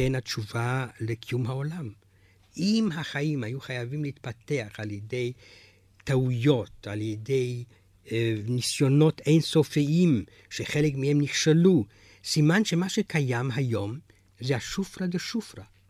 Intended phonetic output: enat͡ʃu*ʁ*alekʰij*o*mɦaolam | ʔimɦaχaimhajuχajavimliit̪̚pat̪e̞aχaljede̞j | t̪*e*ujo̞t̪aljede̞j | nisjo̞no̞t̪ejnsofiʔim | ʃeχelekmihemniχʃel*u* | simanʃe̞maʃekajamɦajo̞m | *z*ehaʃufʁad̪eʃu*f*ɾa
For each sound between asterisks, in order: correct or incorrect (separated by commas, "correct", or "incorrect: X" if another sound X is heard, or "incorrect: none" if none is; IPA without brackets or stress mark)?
incorrect: v, incorrect: u, incorrect: a, correct, correct, correct